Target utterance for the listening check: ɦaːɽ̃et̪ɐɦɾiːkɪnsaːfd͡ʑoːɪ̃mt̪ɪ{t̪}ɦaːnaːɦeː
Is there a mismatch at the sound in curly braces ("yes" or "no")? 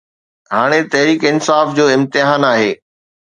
yes